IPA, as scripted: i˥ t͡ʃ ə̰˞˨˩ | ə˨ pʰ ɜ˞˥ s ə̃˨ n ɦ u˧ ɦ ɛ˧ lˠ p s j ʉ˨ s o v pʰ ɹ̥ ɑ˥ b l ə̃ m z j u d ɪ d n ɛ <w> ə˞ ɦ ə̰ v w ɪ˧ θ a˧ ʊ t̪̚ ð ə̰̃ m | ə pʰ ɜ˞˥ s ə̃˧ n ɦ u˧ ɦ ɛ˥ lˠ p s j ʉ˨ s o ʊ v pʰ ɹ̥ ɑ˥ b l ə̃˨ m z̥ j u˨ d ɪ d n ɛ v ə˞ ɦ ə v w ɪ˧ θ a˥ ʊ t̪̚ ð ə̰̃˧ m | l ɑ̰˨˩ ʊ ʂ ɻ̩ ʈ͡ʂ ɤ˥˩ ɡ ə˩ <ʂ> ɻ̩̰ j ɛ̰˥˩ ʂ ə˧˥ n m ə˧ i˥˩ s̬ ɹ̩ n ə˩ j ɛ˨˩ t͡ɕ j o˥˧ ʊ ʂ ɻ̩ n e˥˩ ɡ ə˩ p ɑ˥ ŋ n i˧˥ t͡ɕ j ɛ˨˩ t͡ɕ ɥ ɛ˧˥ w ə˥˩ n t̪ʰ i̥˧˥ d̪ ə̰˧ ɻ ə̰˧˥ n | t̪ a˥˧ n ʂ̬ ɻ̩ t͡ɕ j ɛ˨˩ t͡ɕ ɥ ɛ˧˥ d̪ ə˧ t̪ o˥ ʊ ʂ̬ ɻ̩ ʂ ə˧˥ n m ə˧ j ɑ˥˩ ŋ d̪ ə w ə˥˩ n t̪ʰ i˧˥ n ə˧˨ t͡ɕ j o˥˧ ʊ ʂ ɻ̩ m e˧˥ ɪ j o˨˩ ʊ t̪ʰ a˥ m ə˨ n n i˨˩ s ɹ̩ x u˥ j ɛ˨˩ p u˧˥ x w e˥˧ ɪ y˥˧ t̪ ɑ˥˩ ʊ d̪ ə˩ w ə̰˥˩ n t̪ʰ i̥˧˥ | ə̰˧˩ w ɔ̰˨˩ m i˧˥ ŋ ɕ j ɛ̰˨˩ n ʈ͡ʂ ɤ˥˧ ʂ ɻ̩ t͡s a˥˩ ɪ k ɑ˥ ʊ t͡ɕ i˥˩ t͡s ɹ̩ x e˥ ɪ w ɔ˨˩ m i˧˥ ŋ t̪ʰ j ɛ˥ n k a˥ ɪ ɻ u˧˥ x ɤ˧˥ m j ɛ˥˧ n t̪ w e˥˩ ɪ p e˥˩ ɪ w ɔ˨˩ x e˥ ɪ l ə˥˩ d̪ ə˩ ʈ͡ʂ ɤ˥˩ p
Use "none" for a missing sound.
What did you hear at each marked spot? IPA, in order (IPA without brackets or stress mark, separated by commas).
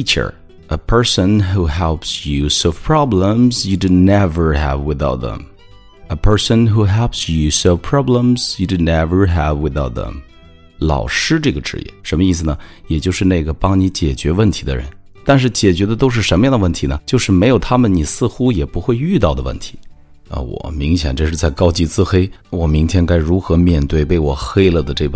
v, ʈ͡ʂ